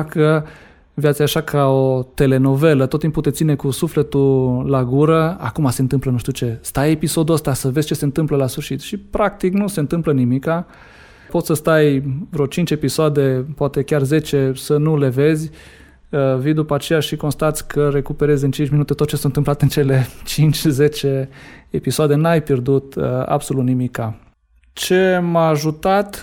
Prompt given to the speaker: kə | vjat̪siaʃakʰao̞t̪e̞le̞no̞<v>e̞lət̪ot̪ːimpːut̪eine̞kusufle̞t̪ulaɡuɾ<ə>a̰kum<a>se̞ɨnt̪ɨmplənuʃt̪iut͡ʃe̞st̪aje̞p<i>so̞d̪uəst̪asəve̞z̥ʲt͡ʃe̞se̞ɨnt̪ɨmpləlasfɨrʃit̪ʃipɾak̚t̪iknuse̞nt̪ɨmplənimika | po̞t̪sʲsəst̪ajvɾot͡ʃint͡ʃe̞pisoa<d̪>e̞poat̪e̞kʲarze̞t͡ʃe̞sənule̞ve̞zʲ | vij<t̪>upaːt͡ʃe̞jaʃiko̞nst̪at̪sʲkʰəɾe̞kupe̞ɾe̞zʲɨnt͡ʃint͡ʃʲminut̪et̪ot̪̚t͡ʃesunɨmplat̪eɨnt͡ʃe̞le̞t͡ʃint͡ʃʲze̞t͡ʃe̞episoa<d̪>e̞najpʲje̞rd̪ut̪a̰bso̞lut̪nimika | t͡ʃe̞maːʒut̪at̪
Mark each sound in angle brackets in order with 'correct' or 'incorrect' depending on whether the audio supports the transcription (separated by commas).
correct, correct, correct, correct, correct, incorrect, correct